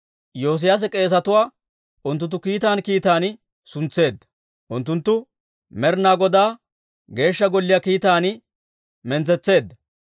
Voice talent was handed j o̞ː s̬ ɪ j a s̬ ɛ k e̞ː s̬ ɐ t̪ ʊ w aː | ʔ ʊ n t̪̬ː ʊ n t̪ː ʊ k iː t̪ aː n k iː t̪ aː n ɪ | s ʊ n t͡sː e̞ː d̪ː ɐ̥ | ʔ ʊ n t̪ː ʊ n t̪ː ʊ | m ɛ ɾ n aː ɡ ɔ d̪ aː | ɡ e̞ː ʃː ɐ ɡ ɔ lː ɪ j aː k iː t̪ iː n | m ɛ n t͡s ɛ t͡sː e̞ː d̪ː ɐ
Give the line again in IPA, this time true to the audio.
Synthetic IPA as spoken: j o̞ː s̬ ɪ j a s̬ ɛ kʼ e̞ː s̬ ɐ t̪ ʊ w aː | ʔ ʊ n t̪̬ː ʊ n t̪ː ʊ k iː t̪ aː n k iː t̪ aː n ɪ | s ʊ n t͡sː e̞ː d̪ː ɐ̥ | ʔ ʊ n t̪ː ʊ n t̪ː ʊ | m ɛ ɾ n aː ɡ ɔ d̪ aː | ɡ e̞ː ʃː ɐ ɡ ɔ lː ɪ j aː k iː t̪ aː n | m ɛ n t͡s ɛ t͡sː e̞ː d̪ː ɐ